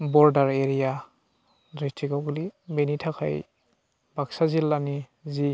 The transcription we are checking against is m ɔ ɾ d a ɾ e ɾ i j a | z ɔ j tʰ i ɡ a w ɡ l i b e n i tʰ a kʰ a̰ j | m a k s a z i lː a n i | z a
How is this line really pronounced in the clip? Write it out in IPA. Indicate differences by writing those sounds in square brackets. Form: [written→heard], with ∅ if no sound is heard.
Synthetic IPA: [m→b] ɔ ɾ d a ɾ e ɾ i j a | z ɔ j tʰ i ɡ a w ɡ l i b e n i tʰ a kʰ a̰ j | [m→b] a k s a z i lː a n i | z [a→i]

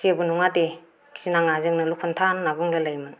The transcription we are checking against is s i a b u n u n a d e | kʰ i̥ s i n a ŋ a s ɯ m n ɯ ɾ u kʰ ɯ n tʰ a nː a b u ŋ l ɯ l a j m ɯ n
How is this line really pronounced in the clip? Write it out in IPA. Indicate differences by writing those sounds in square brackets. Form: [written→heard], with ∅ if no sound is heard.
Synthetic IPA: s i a b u n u [n→ŋ] a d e | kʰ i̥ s i n a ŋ a [s→z] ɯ [m→ŋ] n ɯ [ɾ→l] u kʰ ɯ n tʰ a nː a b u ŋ l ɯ l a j m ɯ n

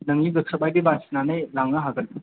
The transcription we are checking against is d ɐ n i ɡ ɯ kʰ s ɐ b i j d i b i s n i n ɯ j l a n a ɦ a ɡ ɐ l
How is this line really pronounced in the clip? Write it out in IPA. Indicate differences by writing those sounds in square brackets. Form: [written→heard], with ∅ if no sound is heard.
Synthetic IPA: [d→n] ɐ [n→ŋ] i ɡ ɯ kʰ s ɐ b [i→a] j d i b [i→a] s n [i→a] n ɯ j l a [n→ŋ] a ɦ a ɡ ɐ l

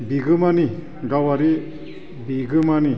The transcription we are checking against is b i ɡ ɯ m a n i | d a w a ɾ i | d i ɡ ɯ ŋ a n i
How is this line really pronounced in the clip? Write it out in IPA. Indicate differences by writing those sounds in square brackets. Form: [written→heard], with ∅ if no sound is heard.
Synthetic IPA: b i ɡ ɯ m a n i | [d→ɡ] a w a ɾ i | [d→b] i ɡ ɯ [ŋ→m] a n i

